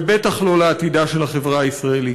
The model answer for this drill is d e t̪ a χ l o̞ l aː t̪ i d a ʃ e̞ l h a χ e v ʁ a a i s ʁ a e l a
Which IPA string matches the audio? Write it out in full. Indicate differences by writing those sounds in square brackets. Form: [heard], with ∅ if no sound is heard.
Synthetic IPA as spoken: [b] e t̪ a χ l o̞ l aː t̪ i d a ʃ e̞ l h a χ e v ʁ a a i s ʁ a e l [i]